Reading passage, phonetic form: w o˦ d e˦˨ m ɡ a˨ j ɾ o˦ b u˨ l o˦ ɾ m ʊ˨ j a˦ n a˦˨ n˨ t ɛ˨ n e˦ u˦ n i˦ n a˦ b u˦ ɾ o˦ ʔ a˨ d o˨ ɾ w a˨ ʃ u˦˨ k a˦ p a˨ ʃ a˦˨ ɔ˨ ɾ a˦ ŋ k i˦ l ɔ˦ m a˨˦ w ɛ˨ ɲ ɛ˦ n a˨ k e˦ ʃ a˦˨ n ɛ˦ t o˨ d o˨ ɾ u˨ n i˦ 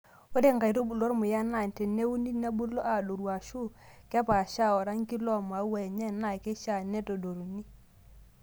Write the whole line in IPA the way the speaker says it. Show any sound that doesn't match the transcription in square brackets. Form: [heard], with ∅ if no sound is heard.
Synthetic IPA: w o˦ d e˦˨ [ŋ] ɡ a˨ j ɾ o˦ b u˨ l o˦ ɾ m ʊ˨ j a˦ n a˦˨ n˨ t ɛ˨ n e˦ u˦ n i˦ n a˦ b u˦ [l] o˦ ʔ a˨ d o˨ ɾ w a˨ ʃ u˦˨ k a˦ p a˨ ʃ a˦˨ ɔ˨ ɾ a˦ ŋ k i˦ l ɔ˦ m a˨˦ w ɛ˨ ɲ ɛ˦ n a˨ k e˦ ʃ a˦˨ n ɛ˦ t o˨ d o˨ ɾ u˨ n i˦